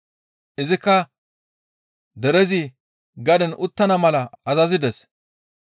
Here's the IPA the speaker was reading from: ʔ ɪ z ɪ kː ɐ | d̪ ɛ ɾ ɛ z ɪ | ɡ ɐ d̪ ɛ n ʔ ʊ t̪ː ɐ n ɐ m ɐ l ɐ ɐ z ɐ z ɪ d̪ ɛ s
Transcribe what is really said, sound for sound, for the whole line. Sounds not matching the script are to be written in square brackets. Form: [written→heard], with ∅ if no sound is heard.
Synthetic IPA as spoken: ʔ ɪ z ɪ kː ɐ | d̪ ɛ ɾ ɛ z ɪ | ɡ ɐ d̪ ɛ n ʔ ʊ t̪ː ɐ n ɐ m ɐ l ɐ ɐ z ɐ z ɪ d̪ ɛ s